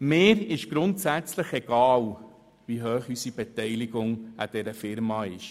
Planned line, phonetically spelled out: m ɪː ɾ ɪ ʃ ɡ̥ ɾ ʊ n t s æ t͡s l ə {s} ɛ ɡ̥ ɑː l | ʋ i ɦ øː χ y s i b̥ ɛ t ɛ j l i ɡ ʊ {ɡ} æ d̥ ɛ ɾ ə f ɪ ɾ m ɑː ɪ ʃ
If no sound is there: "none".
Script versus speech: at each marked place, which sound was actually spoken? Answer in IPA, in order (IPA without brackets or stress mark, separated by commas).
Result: χ, ŋ